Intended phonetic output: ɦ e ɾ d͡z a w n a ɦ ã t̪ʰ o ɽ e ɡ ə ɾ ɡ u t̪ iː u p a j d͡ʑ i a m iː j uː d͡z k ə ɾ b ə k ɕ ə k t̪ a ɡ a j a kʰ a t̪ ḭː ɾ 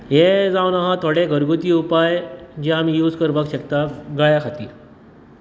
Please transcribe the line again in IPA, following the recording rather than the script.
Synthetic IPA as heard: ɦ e d͡z a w n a ɦ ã t̪ʰ o ɽ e ɡ ə ɾ ɡ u t̪ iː u p a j d͡ʑ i a m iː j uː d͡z k ə ɾ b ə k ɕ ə k t̪ a ɡ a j a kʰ a t̪ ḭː ɾ